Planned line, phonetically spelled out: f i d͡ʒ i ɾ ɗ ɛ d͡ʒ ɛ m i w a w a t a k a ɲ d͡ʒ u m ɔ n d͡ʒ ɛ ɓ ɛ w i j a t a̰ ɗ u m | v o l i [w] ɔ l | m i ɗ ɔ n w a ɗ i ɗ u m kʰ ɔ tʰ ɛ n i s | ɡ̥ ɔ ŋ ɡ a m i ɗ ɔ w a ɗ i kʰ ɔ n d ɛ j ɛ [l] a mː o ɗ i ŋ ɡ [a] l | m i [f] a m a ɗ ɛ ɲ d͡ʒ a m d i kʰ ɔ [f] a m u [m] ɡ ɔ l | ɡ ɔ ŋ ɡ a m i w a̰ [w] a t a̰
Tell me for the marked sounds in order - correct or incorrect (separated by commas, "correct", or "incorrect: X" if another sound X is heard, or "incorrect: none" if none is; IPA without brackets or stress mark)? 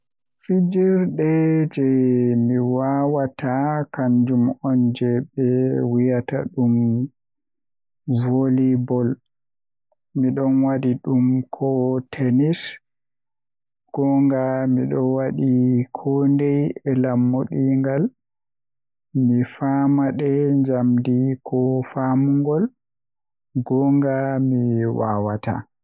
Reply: incorrect: b, correct, correct, correct, correct, incorrect: ŋ, correct